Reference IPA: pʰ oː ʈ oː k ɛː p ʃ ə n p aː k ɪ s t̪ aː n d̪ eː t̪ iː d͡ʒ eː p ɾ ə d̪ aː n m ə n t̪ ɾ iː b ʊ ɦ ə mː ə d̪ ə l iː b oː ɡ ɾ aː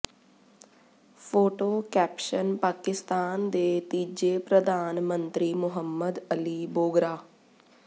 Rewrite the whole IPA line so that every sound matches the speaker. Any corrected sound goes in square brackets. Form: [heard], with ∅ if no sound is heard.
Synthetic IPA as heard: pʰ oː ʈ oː k ɛː p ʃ ə n p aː k ɪ s t̪ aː n d̪ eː t̪ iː d͡ʒ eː p ɾ ə d̪ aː n m ə n t̪ ɾ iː [m] ʊ ɦ ə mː ə d̪ ə l iː b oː ɡ ɾ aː